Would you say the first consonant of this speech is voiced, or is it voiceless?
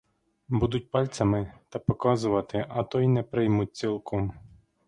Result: voiced